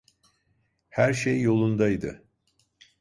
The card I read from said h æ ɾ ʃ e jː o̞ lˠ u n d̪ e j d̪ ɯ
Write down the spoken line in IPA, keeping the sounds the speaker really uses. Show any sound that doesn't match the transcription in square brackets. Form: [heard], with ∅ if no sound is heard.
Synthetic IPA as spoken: h æ ɾ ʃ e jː o̞ lˠ u n d̪ [a] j d̪ ɯ